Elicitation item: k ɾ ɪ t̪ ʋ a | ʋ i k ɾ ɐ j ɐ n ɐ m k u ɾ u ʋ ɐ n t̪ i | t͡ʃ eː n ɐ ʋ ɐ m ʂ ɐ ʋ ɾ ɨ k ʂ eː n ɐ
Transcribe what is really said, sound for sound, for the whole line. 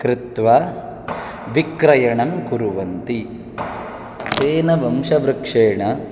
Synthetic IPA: k ɾ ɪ t̪ ʋ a | ʋ i k ɾ ɐ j ɐ ɳ ɐ m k u ɾ u ʋ ɐ n t̪ i | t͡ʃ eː n ɐ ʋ ɐ m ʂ ɐ ʋ ɾ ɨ k ʂ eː ɳ ɐ